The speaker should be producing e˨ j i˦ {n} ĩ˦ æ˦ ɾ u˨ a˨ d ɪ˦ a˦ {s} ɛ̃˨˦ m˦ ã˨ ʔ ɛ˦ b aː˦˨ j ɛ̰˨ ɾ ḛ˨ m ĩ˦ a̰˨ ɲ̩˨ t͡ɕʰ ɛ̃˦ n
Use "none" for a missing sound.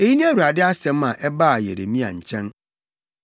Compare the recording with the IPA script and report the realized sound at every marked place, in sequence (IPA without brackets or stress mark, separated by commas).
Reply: n, s